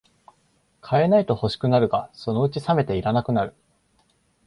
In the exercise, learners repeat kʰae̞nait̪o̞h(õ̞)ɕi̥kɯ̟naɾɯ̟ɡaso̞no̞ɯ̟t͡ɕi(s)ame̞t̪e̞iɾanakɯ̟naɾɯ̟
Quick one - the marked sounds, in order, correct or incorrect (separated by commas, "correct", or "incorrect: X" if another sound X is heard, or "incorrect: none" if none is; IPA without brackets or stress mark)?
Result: incorrect: o̞, correct